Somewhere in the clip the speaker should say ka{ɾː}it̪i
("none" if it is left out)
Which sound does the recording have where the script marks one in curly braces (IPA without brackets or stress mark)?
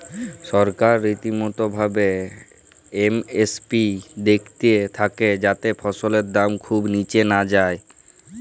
ɾː